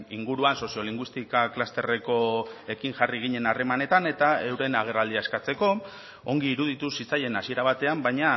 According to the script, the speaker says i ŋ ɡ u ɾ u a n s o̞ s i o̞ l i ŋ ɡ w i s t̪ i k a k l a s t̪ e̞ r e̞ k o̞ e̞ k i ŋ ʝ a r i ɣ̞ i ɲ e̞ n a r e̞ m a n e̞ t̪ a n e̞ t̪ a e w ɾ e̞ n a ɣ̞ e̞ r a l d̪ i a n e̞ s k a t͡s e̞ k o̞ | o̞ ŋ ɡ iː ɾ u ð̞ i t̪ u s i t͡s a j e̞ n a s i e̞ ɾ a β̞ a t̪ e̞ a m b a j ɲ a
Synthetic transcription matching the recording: i ŋ ɡ u ɾ u a n s o̞ s i o̞ l i ŋ ɡ w i s t̪ i k a k l a s t̪ e̞ r e̞ k o̞ e̞ k i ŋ ʝ a r i ɣ̞ i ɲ e̞ n a r e̞ m a n e̞ t̪ a n e̞ t̪ a e w ɾ e̞ n a ɣ̞ e̞ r a l d̪ i a e̞ s k a t͡s e̞ k o̞ | o̞ ŋ ɡ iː ɾ u ð̞ i t̪ u s i t͡s a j e̞ n a s i e̞ ɾ a β̞ a t̪ e̞ a m b a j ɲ a

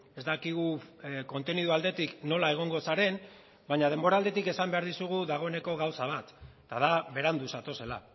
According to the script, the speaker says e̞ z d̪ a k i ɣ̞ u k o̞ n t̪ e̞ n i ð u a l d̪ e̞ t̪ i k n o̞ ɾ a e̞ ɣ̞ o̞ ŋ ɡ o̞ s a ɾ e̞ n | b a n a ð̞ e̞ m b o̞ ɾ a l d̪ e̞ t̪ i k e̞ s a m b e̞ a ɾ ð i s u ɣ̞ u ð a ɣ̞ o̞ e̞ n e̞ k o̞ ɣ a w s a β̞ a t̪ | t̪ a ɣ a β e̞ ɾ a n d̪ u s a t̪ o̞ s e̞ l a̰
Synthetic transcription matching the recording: e̞ z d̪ a k i ɣ̞ u k o̞ n t̪ e̞ n i ð u a l d̪ e̞ t̪ i k n o̞ l a e̞ ɣ̞ o̞ ŋ ɡ o̞ s a ɾ e̞ n | b a ɲ a ð̞ e̞ m b o̞ ɾ a l d̪ e̞ t̪ i k e̞ s a m b e̞ a ɾ ð i s u ɣ̞ u ð a ɣ̞ o̞ e̞ n e̞ k o̞ ɣ a w s a β̞ a t̪ | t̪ a ð a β e̞ ɾ a n d̪ u s a t̪ o̞ s e̞ l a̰

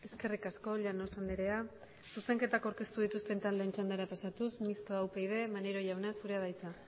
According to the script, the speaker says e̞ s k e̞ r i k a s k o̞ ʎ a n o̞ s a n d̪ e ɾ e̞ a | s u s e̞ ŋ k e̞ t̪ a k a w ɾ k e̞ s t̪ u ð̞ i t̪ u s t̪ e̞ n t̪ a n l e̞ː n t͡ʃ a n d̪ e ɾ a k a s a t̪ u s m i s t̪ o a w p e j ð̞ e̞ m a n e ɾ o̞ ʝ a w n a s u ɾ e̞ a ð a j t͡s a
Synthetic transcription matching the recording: e̞ s k e̞ r i k a s k o̞ ʎ a n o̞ s a n d̪ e ɾ e̞ a | s u s e̞ ŋ k e̞ t̪ a k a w ɾ k e̞ s t̪ u ð̞ i t̪ u s t̪ e̞ n t̪ a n l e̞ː n t͡ʃ a n d̪ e ɾ a p a s a t̪ u s m i s t̪ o a w p e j ð̞ e̞ m a n e ɾ o̞ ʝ a w n a s u ɾ e̞ a ð a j t͡s a

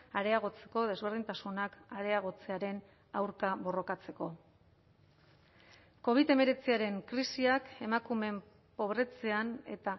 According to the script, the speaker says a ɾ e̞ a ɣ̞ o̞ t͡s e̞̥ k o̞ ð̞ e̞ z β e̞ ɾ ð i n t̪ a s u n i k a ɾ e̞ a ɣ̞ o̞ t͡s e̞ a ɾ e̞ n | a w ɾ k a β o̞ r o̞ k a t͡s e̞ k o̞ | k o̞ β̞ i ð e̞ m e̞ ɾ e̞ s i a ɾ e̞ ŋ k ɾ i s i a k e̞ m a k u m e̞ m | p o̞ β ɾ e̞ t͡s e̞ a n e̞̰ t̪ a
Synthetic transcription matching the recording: a ɾ e̞ a ɣ̞ o̞ t͡s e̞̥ k o̞ ð̞ e̞ z β e̞ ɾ ð i n t̪ a s u n a k a ɾ e̞ a ɣ̞ o̞ t͡s e̞ a ɾ e̞ n | a w ɾ k a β o̞ r o̞ k a t͡s e̞ k o̞ | k o̞ β̞ i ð e̞ m e̞ ɾ e̞ t͡s i a ɾ e̞ ŋ k ɾ i s i a k e̞ m a k u m e̞ m | p o̞ β ɾ e̞ t͡s e̞ a n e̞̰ t̪ a

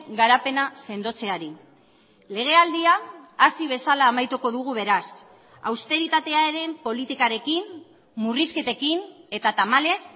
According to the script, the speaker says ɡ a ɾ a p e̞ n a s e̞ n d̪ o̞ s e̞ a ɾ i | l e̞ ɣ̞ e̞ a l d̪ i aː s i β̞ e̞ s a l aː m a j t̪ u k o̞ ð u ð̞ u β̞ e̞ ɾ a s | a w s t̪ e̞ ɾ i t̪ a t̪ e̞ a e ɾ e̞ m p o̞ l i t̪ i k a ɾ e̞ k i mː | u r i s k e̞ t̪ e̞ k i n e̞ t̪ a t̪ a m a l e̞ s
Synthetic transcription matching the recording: ɡ a ɾ a p e̞ n a s e̞ n d̪ o̞ t͡s e̞ a ɾ i | l e̞ ɣ̞ e̞ a l d̪ i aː s i β̞ e̞ s a l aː m a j t̪ u k o̞ ð u ɣ̞ u β̞ e̞ ɾ a s | a w s t̪ e̞ ɾ i t̪ a t̪ e̞ a e ɾ e̞ m p o̞ l i t̪ i k a ɾ e̞ k i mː | u r i s k e̞ t̪ e̞ k i n e̞ t̪ a t̪ a m a l e̞ s

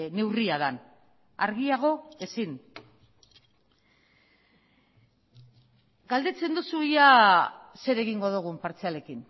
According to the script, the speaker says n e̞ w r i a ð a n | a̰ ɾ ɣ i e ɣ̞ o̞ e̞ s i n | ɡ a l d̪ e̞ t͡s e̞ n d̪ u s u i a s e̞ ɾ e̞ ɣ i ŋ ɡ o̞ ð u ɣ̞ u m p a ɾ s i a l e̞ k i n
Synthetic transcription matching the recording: n e̞ w r i a ð a n | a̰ ɾ ɣ i a ɣ̞ o̞ e̞ s i n | ɡ a l d̪ e̞ t͡s e̞ n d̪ u s u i a s e̞ ɾ e̞ ɣ i ŋ ɡ o̞ ð u ɣ̞ u m p a ɾ t͡s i a l e̞ k i n

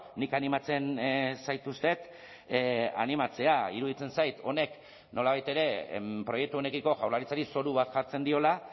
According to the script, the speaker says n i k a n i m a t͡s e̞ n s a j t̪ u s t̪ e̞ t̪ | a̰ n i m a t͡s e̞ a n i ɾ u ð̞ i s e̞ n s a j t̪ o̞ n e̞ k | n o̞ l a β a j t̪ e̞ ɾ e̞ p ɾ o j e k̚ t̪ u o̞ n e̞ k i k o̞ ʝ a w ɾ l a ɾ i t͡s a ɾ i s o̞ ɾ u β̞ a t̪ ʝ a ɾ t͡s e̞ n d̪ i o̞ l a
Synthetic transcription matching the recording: n i k a n i m a t͡s e̞ n s a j t̪ u s t̪ e̞ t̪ | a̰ n i m a t͡s e̞ a i ɾ u ð̞ i t͡s e̞ n s a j t̪ o̞ n e̞ k | n o̞ l a β a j t̪ e̞ ɾ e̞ p ɾ o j e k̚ t̪ u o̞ n e̞ k i k o̞ ʝ a w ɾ l a ɾ i t͡s a ɾ i s o̞ ɾ u β̞ a t̪ ʝ a ɾ t͡s e̞ n d̪ i o̞ l a

